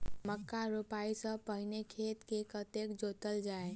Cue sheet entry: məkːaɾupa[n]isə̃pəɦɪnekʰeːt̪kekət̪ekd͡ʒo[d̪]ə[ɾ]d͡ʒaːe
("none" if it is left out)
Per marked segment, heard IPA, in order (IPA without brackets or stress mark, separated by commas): none, t̪, l